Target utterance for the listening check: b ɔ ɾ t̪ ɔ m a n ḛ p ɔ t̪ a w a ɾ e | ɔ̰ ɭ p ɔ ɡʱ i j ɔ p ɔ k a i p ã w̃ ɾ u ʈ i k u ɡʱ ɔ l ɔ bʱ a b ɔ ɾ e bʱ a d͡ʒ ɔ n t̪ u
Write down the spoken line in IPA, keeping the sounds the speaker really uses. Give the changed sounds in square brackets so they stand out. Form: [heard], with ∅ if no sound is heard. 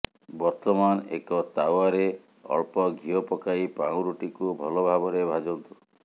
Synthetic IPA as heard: b ɔ ɾ t̪ ɔ m a n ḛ [k] ɔ t̪ a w a ɾ e | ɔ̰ ɭ p ɔ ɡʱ i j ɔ p ɔ k a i p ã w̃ ɾ u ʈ i k u [bʱ] ɔ l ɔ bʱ a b ɔ ɾ e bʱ a d͡ʒ ɔ n t̪ u